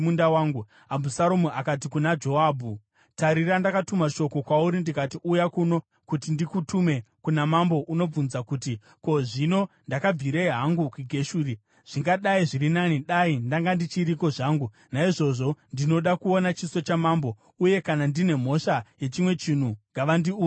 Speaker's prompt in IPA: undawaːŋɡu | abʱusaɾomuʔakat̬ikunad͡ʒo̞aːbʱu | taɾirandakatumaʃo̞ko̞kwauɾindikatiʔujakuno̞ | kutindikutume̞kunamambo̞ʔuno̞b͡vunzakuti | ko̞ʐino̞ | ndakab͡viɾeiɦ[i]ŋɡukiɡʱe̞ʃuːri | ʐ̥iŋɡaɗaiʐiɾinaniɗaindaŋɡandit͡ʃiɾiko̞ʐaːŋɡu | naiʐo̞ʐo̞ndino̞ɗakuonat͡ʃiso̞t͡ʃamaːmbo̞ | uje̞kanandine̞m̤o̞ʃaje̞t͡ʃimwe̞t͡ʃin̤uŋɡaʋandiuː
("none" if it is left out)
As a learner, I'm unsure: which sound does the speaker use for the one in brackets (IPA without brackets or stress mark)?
a